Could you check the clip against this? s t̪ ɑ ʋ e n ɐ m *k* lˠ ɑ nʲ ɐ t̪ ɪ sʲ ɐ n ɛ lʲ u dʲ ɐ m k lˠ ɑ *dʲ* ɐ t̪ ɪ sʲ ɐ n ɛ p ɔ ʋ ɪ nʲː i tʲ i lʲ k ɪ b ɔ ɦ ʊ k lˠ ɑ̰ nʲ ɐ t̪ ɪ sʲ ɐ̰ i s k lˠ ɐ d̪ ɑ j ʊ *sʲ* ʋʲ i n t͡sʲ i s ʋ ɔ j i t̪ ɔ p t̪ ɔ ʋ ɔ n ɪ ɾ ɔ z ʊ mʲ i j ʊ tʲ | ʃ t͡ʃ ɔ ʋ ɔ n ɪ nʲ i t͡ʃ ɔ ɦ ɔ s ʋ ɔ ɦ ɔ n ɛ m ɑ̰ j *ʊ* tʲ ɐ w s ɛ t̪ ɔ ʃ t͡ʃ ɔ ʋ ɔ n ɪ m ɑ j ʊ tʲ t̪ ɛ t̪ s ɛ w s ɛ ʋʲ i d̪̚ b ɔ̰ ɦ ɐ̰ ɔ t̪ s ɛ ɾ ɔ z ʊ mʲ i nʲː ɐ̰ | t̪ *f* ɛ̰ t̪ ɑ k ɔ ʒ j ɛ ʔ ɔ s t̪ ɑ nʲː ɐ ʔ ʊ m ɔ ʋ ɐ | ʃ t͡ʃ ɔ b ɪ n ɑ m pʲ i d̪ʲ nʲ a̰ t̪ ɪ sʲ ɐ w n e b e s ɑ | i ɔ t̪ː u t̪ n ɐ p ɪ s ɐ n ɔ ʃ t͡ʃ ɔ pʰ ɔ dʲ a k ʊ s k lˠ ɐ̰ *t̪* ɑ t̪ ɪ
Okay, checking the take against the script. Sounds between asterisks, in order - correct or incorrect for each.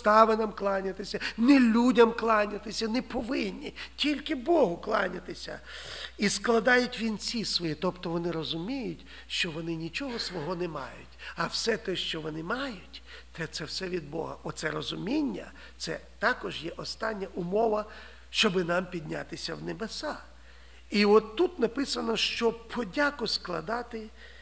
correct, incorrect, incorrect, correct, incorrect, incorrect

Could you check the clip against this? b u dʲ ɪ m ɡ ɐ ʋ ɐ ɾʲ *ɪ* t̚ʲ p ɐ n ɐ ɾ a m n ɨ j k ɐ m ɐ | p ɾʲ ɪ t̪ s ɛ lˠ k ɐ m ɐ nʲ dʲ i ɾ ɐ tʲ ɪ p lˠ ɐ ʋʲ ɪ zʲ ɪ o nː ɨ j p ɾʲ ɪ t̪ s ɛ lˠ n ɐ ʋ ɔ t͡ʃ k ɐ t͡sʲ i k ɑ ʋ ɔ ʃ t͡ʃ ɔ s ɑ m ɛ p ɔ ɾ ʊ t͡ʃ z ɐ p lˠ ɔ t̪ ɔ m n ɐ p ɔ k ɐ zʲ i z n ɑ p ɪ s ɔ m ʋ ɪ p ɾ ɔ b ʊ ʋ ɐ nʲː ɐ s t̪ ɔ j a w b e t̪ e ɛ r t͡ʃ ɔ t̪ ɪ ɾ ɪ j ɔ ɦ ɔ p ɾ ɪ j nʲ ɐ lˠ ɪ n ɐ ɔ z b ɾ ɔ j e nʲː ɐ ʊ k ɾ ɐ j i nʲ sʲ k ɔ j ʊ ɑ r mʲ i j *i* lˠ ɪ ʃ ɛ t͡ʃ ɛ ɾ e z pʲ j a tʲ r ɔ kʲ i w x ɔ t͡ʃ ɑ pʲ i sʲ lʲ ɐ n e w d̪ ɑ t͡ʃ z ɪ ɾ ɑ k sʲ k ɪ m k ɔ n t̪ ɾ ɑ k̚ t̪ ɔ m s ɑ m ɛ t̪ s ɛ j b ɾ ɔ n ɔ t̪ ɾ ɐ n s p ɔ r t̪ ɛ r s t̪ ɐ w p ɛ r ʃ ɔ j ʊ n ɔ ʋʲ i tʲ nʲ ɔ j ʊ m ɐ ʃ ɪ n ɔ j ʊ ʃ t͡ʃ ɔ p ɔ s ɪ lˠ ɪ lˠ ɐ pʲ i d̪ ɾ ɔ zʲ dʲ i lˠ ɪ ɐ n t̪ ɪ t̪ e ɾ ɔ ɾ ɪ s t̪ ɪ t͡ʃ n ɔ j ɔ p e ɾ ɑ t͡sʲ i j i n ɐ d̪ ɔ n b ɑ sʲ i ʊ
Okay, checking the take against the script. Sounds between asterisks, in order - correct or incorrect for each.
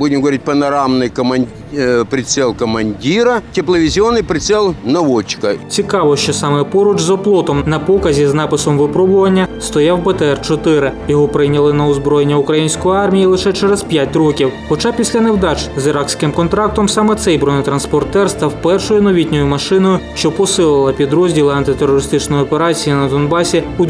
incorrect, correct

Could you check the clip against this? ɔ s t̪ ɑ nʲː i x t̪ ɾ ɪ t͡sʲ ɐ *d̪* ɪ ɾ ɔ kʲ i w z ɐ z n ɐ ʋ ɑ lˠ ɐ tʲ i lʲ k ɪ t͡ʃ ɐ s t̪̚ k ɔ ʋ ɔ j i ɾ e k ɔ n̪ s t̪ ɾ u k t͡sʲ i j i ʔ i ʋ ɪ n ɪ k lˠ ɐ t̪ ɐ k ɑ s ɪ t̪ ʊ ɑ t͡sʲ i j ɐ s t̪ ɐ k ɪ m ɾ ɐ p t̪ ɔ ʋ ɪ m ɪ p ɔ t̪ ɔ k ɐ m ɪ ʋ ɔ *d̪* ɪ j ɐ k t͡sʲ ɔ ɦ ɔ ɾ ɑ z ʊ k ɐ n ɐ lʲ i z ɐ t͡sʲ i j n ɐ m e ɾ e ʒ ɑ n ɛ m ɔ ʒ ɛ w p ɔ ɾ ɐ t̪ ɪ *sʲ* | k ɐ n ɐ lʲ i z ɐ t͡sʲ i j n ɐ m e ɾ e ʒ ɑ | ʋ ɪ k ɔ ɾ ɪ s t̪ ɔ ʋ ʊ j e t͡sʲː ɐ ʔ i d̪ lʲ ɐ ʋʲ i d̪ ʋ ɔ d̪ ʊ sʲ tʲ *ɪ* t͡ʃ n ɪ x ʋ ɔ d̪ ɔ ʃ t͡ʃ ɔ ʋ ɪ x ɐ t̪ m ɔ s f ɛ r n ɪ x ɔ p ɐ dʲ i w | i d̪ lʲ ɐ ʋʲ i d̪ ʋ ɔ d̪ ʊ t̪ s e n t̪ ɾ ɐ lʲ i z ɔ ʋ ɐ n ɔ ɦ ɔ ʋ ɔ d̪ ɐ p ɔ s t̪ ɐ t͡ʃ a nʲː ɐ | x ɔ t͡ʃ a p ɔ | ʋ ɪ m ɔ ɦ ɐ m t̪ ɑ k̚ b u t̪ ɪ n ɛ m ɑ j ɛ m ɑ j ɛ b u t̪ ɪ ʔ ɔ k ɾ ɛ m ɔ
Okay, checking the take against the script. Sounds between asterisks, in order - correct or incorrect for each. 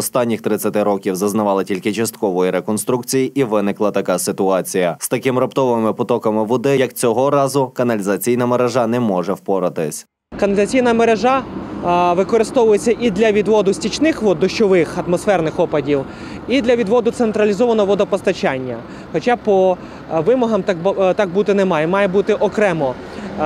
incorrect, correct, correct, incorrect

